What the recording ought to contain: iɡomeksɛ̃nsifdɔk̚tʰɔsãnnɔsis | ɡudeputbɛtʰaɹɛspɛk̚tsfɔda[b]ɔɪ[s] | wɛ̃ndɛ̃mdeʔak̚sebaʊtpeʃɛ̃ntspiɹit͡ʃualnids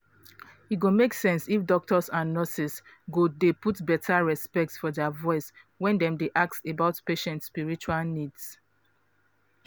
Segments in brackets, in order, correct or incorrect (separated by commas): incorrect, correct